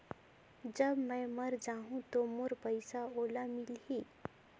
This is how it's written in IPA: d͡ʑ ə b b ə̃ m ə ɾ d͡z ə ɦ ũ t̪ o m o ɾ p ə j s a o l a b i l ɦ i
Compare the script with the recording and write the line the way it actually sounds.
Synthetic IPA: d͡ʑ ə b m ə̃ m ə ɾ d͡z a ɦ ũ t̪ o m o ɾ p ə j s a o l a m i l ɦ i